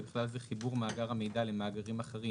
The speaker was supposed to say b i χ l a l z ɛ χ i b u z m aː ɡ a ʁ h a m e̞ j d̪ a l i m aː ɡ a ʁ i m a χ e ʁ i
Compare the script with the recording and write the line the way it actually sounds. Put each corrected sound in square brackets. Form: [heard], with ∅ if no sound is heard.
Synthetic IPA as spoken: b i χ l a l z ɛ χ i b u [ʁ] m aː ɡ a ʁ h a m e̞ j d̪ a l [e] m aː ɡ a ʁ i m a χ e ʁ i